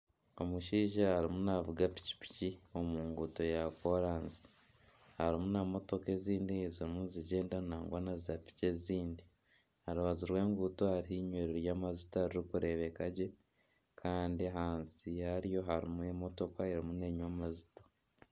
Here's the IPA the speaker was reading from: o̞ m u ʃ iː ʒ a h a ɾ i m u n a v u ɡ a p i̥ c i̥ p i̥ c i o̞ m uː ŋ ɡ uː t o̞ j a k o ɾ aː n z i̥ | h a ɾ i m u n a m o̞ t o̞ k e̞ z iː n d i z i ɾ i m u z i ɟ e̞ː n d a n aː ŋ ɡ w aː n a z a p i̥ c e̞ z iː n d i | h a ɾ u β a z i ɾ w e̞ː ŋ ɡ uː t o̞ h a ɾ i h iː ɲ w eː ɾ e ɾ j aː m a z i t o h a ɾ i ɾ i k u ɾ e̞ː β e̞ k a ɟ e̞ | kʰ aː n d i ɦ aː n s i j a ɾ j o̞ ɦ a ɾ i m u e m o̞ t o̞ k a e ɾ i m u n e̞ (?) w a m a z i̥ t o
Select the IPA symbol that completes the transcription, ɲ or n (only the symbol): ɲ